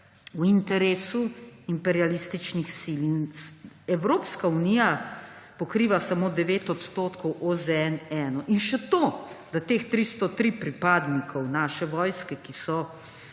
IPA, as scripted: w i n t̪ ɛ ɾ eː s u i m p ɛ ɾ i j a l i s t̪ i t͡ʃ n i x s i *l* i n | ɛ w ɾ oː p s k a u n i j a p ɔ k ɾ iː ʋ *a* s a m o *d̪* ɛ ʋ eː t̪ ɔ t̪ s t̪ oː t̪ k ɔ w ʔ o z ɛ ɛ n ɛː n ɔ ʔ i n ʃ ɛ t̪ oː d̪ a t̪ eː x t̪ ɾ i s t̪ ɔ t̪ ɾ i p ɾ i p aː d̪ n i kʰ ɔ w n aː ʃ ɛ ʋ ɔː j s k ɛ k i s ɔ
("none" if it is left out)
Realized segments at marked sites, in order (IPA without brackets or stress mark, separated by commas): l, a, d̪